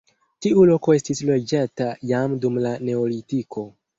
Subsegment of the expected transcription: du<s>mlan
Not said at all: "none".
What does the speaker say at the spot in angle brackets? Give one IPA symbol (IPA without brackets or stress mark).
none